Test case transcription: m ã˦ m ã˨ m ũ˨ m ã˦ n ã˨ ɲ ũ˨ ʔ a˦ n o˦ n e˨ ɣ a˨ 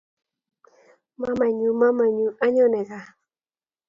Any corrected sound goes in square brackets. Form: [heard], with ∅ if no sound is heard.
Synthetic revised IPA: m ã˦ m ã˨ [ɲ] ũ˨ m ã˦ [m] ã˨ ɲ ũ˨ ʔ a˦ [ɲ] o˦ n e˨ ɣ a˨